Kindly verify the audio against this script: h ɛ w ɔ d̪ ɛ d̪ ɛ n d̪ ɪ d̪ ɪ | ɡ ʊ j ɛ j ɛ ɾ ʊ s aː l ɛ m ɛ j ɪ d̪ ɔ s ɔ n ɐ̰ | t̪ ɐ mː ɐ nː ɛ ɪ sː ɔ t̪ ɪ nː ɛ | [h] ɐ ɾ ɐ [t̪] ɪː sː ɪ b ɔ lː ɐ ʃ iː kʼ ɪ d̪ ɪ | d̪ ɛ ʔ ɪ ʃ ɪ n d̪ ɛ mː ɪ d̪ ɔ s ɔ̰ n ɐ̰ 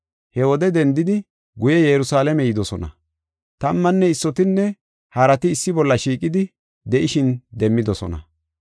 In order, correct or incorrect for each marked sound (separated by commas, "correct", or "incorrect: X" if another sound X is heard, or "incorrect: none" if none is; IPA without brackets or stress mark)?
correct, correct